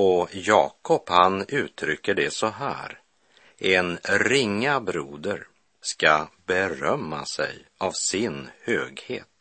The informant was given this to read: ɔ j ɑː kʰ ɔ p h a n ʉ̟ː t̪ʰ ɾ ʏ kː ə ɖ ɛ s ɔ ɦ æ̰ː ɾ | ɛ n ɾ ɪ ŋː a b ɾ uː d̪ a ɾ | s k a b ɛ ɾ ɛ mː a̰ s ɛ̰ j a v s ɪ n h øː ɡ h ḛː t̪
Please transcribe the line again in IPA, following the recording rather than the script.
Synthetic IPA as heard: ɔ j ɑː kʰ ɔ p h a n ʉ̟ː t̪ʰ ɾ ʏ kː ə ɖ ɛ s ɔ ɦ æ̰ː ɾ | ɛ n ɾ ɪ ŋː a b ɾ uː d̪ ə ɾ | s k a b ɛ ɾ œ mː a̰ s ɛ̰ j a v s ɪ n h øː ɡ h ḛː t̪